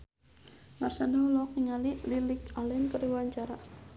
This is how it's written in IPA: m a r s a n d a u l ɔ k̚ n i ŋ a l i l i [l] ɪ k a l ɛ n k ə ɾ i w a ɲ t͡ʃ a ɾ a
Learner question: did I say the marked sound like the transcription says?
yes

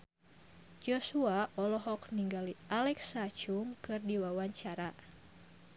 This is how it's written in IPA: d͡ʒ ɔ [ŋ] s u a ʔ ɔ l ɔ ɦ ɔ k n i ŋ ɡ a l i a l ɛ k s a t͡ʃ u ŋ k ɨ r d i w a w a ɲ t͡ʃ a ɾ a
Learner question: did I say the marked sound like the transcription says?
no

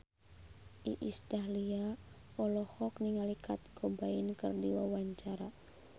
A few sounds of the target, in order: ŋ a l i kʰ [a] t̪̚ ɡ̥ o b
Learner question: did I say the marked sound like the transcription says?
yes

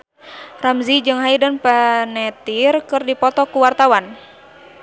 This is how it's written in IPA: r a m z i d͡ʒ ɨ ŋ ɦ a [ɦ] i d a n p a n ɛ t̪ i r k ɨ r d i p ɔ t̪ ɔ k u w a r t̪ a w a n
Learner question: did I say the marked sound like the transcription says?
no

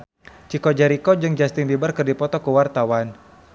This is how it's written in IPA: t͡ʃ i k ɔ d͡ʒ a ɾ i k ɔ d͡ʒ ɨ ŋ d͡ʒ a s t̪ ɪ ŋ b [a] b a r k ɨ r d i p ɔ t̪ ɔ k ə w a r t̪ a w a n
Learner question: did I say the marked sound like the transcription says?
no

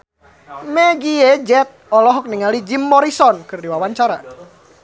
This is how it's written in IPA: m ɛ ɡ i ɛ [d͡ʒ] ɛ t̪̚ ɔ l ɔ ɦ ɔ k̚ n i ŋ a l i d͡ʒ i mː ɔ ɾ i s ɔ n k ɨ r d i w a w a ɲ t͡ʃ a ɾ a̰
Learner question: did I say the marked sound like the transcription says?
yes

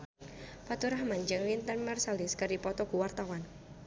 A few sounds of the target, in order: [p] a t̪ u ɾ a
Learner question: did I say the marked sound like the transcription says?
yes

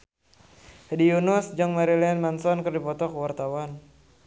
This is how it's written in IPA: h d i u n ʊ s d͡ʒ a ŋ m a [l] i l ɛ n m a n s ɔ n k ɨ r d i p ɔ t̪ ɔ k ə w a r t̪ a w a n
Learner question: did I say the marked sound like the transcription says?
no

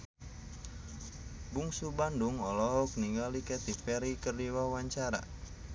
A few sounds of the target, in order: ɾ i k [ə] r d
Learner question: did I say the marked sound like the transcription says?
yes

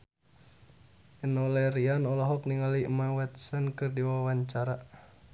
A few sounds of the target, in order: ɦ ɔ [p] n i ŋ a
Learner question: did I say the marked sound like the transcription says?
no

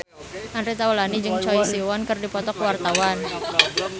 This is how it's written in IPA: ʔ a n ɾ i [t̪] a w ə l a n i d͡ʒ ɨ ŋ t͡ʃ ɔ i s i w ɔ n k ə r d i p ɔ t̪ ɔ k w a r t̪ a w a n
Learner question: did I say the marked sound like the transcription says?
yes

